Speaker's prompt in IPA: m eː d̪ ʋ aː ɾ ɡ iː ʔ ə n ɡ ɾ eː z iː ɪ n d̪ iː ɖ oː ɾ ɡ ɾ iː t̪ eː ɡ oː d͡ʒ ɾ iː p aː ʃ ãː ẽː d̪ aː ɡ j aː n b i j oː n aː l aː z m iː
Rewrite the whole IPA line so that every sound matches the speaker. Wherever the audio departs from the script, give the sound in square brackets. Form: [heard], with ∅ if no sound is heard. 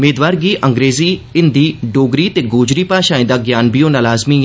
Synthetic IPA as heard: m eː d̪ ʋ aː ɾ ɡ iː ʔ ə [ŋ] ɡ ɾ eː z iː ɪ n d̪ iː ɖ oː [∅] ɡ ɾ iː t̪ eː ɡ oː d͡ʒ ɾ iː p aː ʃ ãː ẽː d̪ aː ɡ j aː n b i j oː n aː l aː z m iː

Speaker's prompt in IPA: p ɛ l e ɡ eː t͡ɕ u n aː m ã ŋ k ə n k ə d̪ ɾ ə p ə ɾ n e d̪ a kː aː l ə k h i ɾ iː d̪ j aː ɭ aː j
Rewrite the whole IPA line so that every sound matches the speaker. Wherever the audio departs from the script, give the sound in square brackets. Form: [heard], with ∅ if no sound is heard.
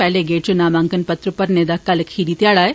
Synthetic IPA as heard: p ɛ l e ɡ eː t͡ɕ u n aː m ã ŋ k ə n [p] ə [t̪] ɾ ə p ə ɾ n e d̪ a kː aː l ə k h i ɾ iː [t̪] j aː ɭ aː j

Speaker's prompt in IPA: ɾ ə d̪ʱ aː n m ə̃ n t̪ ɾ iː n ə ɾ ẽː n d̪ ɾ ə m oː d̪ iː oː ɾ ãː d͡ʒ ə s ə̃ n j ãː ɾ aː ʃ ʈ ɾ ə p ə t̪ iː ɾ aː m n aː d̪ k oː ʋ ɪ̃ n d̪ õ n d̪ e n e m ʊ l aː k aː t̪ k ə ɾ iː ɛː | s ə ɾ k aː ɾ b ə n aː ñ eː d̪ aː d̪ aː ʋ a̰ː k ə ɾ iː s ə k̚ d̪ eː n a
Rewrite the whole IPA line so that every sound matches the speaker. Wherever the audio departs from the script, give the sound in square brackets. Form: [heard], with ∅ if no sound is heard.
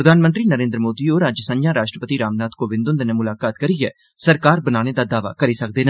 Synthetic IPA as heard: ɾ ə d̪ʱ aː n m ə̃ n t̪ ɾ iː n ə ɾ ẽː n d̪ ɾ ə m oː d̪ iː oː ɾ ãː d͡ʒ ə s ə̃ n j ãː ɾ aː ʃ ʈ ɾ ə p ə t̪ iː ɾ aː m n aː [t̪] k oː ʋ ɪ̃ n d̪ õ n d̪ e n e m ʊ l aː k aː t̪ k ə ɾ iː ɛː | s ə ɾ k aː ɾ b ə n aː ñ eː d̪ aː d̪ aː ʋ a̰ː k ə ɾ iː s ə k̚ d̪ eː n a

